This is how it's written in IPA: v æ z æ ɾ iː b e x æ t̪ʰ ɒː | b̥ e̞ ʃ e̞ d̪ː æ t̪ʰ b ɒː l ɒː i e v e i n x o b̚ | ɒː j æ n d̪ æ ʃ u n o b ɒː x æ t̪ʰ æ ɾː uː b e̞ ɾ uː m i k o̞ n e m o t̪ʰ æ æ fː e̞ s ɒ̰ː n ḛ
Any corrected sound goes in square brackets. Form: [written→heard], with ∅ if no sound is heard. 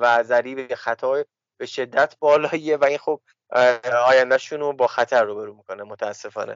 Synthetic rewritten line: v æ z æ ɾ iː b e x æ t̪ʰ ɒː | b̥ e̞ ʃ e̞ d̪ː æ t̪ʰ b ɒː l ɒː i e v [e→æ] i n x o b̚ | ɒː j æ n d̪ æ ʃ u n o b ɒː x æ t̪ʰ æ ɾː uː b e̞ ɾ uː m i k o̞ n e m o t̪ʰ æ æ [fː→sː] e̞ [s→f] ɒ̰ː n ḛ